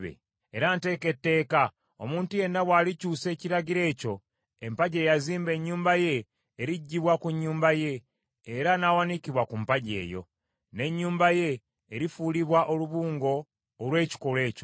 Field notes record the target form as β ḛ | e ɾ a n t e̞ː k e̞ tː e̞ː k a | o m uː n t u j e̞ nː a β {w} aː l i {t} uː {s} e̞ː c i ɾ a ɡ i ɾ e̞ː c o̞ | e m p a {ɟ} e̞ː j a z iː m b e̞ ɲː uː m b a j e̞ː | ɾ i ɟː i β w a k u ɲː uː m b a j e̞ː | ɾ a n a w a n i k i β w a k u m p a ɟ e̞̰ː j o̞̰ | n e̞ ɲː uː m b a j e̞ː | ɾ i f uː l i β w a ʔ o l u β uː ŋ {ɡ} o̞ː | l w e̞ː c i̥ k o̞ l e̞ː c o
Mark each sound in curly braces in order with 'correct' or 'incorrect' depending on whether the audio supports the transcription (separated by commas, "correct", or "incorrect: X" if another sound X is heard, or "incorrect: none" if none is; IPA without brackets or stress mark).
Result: correct, incorrect: c, correct, correct, correct